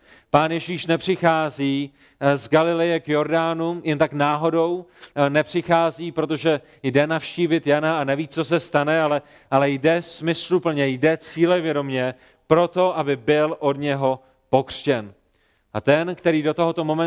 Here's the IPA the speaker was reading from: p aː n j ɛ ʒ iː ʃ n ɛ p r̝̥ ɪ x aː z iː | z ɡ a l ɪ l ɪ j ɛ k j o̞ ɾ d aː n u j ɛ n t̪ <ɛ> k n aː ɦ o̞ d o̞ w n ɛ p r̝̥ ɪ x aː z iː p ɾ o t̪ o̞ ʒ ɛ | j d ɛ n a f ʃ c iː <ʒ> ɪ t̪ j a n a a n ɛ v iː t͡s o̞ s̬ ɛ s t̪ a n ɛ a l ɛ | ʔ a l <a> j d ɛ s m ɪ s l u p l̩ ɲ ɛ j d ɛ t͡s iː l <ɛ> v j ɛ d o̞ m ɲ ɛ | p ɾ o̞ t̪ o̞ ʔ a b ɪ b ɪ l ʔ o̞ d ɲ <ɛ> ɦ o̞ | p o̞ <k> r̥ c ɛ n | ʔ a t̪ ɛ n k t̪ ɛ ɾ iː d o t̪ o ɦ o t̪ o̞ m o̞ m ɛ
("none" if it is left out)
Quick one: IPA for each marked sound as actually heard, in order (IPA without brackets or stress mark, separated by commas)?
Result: a, v, ɛ, ɛ, ɛ, k